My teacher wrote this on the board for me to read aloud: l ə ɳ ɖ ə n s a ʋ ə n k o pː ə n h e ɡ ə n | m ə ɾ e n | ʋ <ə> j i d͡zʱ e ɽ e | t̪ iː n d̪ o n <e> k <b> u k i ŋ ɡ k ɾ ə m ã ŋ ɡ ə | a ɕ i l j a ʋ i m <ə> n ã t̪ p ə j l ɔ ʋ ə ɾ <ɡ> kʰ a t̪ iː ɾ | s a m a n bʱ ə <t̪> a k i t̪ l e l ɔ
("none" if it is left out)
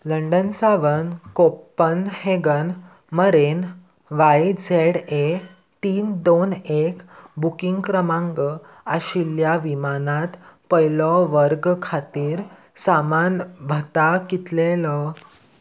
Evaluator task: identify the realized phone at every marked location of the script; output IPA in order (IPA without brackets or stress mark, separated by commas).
a, e, b, a, ɡ, t̪